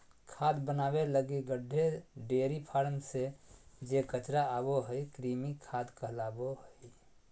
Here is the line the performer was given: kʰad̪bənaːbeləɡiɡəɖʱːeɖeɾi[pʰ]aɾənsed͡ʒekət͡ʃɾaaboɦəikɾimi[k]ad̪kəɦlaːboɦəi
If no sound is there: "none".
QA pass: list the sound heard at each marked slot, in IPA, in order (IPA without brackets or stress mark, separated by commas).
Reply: pʰ, kʰ